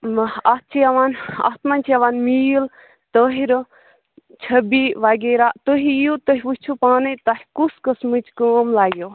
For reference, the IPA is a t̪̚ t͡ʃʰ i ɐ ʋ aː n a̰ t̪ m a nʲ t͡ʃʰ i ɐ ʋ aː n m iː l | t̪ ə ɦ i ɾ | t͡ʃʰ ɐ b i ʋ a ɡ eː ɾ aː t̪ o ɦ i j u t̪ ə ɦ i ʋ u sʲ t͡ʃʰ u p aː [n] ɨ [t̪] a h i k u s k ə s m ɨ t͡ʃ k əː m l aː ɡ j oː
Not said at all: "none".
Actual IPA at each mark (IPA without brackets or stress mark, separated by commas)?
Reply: n, t̪